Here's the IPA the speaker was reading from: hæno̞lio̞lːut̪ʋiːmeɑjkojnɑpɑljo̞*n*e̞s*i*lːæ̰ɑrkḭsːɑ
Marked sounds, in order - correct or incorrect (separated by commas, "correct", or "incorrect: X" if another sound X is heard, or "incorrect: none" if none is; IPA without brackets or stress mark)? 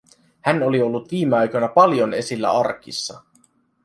correct, correct